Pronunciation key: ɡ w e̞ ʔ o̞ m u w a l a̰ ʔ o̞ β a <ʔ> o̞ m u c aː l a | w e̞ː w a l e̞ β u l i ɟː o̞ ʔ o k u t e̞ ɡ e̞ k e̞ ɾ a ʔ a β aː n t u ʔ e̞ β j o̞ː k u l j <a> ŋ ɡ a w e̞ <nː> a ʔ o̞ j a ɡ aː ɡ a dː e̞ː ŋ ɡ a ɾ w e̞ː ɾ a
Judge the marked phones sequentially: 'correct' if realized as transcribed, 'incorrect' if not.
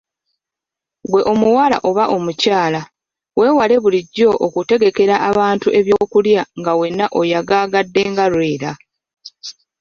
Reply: correct, correct, correct

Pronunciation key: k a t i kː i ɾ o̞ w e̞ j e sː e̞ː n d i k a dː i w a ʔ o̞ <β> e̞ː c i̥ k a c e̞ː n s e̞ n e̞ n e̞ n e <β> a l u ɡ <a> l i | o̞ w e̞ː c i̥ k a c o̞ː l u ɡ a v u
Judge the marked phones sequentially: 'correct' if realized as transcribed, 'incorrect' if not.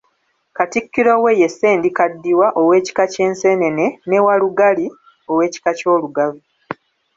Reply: incorrect, incorrect, correct

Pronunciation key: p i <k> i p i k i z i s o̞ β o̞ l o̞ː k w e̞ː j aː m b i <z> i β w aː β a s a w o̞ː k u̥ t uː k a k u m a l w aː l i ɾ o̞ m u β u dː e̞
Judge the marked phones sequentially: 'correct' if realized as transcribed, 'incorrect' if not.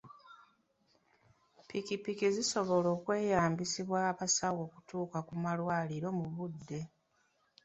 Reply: correct, incorrect

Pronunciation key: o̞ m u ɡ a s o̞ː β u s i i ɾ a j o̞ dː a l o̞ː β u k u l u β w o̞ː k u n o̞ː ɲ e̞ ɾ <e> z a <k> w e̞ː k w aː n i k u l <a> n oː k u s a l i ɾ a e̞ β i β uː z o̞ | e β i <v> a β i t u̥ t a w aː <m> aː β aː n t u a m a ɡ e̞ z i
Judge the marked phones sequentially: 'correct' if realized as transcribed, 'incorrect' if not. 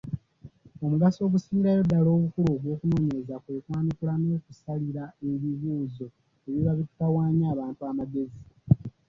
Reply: correct, correct, correct, incorrect, incorrect

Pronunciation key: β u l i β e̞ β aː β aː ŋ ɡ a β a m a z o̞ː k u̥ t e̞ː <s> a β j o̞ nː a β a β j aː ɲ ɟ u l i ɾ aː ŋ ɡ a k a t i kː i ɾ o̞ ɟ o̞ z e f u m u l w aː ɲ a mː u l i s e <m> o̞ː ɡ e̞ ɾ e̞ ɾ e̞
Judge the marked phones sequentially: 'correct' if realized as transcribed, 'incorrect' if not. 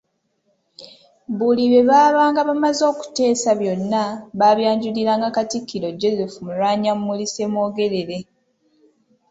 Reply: correct, correct

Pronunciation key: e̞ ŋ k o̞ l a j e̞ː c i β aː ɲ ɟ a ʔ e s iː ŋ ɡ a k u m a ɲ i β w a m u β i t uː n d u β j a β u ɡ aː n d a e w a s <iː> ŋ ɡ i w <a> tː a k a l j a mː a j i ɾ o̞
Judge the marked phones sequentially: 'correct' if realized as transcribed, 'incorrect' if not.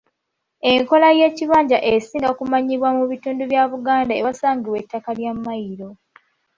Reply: incorrect, incorrect

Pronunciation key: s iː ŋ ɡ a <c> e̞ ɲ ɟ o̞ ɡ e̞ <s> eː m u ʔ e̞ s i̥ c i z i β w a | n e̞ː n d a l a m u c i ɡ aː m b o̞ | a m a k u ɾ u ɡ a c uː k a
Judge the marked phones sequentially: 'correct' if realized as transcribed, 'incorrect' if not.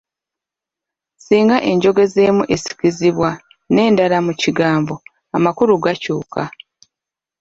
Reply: incorrect, incorrect

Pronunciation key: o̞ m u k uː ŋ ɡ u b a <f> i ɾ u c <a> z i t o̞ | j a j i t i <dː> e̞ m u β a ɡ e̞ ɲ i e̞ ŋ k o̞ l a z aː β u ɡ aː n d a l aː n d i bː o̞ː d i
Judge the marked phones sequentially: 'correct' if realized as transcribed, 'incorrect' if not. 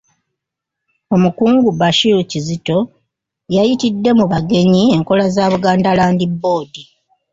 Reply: incorrect, incorrect, correct

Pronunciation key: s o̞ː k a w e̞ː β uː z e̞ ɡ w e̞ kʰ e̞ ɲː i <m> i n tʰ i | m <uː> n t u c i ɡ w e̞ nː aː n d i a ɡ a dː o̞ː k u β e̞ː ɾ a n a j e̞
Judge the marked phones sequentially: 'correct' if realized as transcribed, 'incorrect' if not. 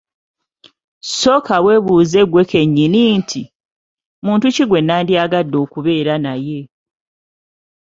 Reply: incorrect, correct

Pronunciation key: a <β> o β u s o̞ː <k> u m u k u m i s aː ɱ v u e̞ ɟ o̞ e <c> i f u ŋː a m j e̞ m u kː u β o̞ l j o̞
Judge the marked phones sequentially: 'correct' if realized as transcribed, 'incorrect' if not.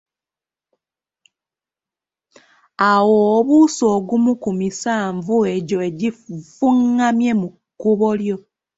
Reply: incorrect, incorrect, incorrect

